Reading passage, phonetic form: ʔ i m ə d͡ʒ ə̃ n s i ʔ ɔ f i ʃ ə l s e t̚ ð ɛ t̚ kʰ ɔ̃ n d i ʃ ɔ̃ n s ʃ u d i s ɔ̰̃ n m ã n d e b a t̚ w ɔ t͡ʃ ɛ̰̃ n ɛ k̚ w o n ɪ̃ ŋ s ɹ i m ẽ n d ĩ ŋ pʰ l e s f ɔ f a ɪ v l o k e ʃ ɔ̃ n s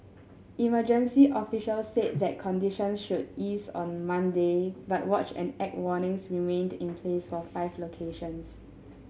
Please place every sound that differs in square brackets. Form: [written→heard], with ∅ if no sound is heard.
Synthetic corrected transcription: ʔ i m ə d͡ʒ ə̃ n s i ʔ ɔ f i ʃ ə l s e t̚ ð ɛ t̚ kʰ ɔ̃ n d i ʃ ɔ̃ n s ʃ u d i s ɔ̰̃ n m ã n d e b a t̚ w ɔ t͡ʃ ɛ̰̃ n ɛ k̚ w [o→ɔ] n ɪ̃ ŋ s ɹ i m ẽ n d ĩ [ŋ→n] pʰ l e s f ɔ f a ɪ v l o [k→kʰ] e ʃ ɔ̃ n s

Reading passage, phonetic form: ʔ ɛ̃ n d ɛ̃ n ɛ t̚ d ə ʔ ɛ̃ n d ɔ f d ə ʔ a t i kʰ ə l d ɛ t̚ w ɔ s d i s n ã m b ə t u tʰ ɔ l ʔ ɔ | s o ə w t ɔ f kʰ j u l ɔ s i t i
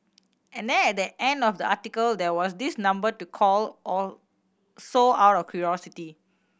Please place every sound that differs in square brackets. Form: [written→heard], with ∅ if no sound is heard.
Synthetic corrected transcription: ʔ ɛ̃ n d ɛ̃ n ɛ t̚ d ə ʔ ɛ̃ n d ɔ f d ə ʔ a t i [kʰ→k] ə l d ɛ [t̚→∅] w ɔ s d i s n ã m b ə t u [tʰ→kʰ] ɔ l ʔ ɔ | s o [ə→a] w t ɔ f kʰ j u [l→ɹ] ɔ s i t i

